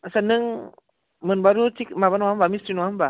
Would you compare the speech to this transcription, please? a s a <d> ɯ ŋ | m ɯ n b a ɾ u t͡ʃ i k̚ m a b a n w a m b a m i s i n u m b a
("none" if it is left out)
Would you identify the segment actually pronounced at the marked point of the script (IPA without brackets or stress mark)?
n